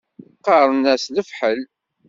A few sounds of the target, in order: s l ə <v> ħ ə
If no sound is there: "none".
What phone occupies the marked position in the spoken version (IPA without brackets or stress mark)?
f